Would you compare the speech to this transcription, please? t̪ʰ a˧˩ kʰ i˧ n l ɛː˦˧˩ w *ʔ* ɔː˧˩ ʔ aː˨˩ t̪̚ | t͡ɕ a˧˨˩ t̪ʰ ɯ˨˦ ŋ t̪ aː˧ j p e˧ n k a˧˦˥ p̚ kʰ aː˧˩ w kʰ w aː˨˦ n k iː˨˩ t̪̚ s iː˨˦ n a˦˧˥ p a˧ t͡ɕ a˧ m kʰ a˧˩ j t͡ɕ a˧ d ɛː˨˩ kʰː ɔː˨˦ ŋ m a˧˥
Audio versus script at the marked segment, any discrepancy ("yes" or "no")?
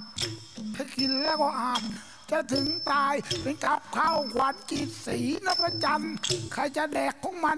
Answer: yes